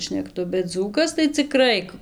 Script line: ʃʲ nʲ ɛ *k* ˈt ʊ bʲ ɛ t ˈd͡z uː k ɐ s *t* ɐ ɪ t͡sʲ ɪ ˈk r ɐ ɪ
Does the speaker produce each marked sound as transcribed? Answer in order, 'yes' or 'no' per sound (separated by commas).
yes, yes